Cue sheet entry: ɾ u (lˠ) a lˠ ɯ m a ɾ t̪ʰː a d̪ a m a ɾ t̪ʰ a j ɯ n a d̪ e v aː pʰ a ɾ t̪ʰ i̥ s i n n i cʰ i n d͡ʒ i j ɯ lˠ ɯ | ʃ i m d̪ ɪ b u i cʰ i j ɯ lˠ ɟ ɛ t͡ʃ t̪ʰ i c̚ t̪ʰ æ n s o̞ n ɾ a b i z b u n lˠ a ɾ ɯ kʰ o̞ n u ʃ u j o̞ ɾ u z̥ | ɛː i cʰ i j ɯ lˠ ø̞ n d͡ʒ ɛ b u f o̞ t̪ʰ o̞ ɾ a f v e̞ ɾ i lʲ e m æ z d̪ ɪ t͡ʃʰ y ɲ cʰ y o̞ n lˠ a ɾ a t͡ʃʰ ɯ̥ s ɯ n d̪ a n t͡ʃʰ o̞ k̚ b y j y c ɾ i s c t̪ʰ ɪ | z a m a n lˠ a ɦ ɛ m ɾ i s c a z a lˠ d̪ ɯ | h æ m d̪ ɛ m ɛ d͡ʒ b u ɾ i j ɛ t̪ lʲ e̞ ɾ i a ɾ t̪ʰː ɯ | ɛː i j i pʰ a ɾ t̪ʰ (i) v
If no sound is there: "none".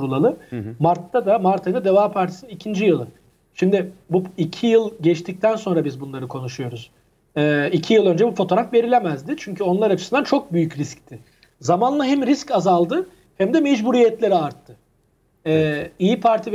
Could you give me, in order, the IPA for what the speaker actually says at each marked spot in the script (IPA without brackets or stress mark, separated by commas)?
lˠ, i